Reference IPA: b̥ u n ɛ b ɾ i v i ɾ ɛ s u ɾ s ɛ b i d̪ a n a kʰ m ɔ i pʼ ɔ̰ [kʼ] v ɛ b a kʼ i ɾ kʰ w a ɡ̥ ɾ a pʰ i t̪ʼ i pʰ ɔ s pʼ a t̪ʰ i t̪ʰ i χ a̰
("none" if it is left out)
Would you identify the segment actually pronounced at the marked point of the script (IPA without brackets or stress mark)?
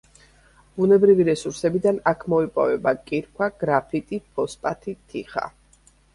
none